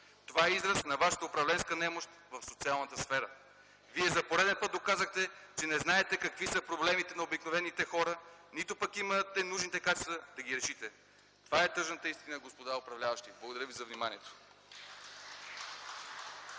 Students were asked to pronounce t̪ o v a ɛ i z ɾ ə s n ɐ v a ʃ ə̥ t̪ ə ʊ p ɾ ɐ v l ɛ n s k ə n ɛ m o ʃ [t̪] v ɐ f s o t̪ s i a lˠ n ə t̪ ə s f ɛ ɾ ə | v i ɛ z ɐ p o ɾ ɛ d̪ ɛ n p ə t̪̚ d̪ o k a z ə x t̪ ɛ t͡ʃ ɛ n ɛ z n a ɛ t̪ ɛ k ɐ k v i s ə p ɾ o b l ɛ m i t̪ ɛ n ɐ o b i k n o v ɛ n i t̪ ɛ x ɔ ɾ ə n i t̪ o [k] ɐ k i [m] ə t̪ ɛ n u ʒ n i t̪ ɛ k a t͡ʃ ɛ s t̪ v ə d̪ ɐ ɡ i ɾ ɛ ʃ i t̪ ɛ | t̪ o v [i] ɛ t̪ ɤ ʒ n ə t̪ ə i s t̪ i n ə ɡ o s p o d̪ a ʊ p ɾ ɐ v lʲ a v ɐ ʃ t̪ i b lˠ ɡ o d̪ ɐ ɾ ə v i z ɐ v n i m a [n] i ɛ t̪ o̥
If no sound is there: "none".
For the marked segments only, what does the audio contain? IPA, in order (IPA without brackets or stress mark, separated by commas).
t̪, p, m, a, n